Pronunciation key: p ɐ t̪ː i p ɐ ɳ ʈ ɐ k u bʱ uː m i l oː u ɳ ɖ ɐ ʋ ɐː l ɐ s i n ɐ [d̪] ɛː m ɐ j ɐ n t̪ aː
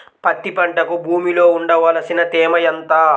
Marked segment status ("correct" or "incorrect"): incorrect